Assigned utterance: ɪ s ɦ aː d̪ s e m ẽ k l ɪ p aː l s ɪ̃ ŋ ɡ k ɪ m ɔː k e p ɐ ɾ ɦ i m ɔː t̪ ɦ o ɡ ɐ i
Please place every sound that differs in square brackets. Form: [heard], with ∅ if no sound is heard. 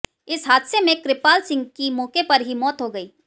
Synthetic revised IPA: ɪ s ɦ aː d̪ s e m ẽ k [ɾ] ɪ p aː l s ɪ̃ ŋ ɡ k [i] m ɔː k e p ɐ ɾ ɦ i m ɔː t̪ ɦ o ɡ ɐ [iː]